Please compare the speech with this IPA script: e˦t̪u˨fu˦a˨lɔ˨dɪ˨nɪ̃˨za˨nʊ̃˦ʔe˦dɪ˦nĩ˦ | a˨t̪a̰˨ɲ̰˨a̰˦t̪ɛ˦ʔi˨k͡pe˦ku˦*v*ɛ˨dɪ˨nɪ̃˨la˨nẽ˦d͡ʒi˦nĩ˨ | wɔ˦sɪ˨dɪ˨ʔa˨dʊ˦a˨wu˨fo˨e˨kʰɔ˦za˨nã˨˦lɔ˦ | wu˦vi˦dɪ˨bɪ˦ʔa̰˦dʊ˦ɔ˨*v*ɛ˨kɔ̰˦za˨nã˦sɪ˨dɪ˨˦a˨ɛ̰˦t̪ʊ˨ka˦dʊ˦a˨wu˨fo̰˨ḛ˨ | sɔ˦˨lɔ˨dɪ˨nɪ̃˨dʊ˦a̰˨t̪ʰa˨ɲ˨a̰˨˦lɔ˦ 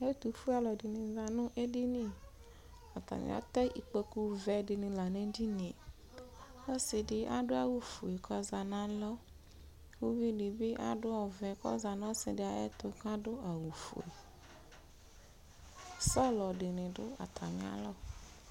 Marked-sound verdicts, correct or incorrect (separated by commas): correct, correct